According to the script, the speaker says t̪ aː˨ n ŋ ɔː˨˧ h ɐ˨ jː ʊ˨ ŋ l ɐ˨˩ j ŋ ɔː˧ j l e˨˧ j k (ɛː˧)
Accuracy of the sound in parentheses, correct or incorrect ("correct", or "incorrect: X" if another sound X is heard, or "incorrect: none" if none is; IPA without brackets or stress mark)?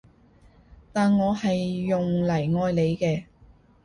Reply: correct